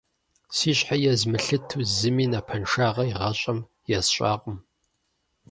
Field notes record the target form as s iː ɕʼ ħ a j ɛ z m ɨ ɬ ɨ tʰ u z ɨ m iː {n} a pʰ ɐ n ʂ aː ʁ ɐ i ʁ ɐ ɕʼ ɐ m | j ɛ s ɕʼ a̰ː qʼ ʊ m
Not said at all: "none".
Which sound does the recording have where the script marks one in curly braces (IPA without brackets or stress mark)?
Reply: n